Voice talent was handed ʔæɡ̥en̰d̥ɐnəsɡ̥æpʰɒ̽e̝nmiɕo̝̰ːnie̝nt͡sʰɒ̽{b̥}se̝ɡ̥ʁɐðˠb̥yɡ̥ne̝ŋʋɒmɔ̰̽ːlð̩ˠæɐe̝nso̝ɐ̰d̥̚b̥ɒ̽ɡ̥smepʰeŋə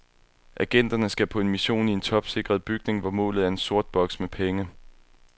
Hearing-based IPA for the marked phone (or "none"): b̥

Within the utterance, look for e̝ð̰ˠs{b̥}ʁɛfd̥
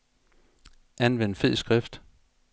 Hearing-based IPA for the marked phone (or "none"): ɡ̥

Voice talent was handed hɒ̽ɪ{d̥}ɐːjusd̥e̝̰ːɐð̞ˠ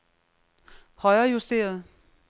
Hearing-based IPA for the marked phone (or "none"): none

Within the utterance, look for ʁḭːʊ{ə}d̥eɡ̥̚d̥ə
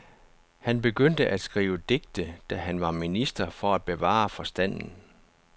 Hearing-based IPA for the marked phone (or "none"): ə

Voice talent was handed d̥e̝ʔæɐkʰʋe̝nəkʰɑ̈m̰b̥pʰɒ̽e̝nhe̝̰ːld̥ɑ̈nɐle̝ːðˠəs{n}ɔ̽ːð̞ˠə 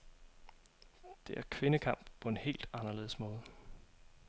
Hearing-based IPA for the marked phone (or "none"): m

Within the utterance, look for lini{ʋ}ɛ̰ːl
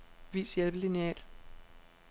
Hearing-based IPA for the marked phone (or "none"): none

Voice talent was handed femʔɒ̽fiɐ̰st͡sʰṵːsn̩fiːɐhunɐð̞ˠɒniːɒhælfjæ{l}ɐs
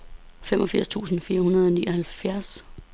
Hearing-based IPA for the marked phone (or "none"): none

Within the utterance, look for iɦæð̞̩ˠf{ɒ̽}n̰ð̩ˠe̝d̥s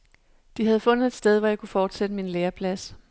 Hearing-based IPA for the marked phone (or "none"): ɔ̽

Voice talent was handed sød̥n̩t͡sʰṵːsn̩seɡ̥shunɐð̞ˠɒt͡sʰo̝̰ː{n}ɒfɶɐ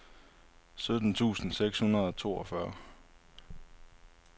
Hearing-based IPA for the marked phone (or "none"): none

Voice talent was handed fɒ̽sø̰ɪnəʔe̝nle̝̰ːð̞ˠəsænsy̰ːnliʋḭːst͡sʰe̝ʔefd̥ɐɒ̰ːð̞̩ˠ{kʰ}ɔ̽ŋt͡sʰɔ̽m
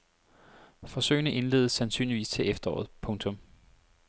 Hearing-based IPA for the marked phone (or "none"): pʰ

